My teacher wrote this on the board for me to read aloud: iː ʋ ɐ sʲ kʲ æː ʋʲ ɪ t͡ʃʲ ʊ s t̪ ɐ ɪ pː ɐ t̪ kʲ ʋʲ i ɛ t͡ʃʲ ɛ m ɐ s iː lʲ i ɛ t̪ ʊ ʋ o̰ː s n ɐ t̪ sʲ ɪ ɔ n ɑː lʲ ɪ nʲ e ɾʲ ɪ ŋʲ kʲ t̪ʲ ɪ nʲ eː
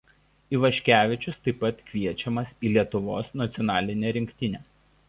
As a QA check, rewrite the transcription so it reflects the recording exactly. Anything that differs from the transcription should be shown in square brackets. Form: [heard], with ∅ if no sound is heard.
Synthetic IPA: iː ʋ ɐ [ʃʲ] kʲ æː ʋʲ ɪ t͡ʃʲ ʊ s t̪ ɐ ɪ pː ɐ t̪ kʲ ʋʲ i ɛ t͡ʃʲ ɛ m ɐ s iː lʲ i ɛ t̪ ʊ ʋ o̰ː s n ɐ t̪ sʲ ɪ ɔ n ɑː lʲ ɪ nʲ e ɾʲ ɪ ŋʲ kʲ t̪ʲ ɪ nʲ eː